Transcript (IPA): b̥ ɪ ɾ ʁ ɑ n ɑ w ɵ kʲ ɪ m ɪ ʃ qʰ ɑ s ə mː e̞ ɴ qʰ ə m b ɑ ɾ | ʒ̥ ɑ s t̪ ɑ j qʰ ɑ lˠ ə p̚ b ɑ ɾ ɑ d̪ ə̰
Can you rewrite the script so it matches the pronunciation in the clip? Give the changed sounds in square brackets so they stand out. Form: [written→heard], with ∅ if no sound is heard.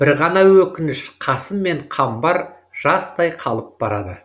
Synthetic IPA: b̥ ɪ ɾ ʁ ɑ n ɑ w ɵ kʲ ɪ [m→n] ɪ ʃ qʰ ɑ s ə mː e̞ ɴ qʰ [ə→ɑ] m b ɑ ɾ | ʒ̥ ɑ s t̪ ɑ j qʰ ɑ lˠ ə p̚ b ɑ ɾ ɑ d̪ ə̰